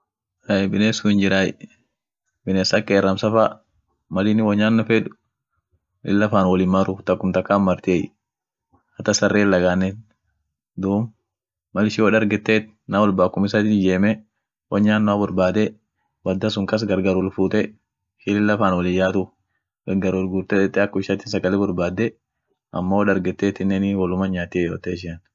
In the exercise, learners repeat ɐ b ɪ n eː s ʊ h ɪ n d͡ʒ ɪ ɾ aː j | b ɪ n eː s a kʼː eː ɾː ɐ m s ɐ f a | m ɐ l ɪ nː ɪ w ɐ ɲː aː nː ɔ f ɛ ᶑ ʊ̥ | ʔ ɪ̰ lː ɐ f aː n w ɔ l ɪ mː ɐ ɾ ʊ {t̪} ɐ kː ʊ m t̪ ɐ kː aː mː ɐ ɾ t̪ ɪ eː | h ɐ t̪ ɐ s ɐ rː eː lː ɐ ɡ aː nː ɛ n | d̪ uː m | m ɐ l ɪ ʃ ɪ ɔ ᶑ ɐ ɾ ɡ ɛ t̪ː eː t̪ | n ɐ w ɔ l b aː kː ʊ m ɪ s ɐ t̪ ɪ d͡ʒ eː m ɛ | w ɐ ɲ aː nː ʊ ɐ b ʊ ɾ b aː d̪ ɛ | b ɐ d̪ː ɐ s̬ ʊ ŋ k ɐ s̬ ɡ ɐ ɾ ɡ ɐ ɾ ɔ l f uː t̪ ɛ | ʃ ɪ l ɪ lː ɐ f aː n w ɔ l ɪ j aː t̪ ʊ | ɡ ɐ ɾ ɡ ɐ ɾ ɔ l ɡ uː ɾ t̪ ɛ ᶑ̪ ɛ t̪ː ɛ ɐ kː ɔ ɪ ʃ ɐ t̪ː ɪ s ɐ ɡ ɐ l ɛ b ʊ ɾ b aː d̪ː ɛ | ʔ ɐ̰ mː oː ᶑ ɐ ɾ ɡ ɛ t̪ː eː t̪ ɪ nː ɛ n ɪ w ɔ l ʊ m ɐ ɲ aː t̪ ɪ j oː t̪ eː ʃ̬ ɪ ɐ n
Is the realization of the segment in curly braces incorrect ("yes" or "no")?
no